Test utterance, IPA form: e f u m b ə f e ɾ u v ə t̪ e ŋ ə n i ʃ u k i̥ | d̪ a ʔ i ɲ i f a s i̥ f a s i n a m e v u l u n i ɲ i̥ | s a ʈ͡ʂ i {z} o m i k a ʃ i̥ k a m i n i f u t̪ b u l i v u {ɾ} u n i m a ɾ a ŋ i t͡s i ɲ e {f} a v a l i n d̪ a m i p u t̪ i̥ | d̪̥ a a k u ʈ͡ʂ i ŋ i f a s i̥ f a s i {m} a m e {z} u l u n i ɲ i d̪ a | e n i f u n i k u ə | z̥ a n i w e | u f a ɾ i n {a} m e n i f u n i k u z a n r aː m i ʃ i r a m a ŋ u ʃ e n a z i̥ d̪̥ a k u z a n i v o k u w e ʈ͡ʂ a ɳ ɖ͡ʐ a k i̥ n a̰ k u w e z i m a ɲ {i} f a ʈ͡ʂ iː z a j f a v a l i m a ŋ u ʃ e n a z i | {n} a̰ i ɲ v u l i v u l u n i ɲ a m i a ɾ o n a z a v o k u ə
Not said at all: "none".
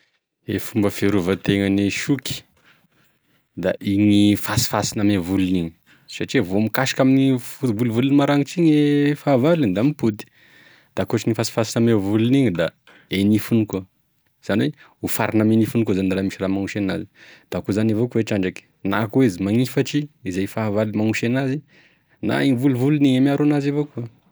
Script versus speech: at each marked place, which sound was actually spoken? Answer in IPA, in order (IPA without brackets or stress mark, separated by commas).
v, l, f, n, v, a, i, n